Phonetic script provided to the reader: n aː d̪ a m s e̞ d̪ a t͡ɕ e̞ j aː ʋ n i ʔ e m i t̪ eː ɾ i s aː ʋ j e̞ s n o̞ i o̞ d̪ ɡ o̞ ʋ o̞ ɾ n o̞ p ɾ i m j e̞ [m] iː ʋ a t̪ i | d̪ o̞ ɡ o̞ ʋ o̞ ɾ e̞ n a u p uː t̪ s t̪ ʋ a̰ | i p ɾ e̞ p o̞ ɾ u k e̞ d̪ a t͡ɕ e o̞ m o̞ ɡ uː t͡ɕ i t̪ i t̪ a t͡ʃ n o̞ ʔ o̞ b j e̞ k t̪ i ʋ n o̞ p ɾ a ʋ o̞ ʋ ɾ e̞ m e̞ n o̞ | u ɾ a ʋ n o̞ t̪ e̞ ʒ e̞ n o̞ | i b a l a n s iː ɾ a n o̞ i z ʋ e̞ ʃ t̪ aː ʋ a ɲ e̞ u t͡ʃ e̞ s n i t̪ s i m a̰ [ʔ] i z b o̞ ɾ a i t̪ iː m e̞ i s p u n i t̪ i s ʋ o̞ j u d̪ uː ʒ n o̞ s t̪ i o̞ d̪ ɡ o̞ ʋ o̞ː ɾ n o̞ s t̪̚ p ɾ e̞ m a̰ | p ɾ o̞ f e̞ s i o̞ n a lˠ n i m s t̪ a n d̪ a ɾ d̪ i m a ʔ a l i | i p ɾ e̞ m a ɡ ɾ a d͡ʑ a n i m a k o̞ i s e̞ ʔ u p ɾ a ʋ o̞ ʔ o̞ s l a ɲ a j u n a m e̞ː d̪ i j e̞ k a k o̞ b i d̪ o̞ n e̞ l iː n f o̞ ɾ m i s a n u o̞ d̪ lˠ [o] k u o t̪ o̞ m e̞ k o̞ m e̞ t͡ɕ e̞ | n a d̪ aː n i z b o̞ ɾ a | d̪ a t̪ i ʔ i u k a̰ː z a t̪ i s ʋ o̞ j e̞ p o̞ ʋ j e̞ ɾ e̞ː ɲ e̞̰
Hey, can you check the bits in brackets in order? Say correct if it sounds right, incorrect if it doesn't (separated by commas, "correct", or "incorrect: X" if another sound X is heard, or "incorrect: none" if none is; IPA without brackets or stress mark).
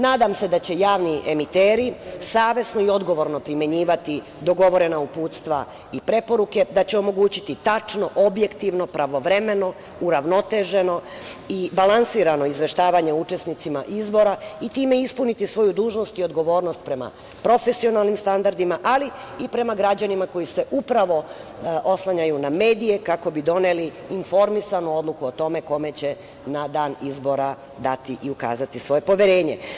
incorrect: ɲ, correct, incorrect: u